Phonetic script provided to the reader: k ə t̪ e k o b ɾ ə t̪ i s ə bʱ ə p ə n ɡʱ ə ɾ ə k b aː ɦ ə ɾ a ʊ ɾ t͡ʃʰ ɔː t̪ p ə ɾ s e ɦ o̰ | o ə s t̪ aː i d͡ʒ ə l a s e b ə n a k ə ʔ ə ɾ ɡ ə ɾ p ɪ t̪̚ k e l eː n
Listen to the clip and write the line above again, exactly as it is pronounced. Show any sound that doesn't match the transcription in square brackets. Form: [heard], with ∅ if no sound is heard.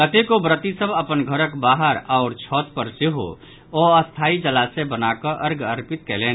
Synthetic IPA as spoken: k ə t̪ e k o b ɾ ə t̪ i s ə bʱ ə p ə n ɡʱ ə ɾ ə k b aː ɦ ə ɾ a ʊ ɾ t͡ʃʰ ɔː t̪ p ə ɾ s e ɦ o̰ | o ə s [t̪ʰ] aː i d͡ʒ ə l a s e b ə n a k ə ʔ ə ɾ ɡ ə ɾ p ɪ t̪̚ k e l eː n